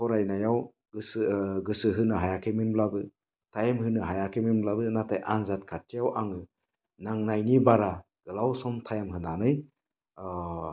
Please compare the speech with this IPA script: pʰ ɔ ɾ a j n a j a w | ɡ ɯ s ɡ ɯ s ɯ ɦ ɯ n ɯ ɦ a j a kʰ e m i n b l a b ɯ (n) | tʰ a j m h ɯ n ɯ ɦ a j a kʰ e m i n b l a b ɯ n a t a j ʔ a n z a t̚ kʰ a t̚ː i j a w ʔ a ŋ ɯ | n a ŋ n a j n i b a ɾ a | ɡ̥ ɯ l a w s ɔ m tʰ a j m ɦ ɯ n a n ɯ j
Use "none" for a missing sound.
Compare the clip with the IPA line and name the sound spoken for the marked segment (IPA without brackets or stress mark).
none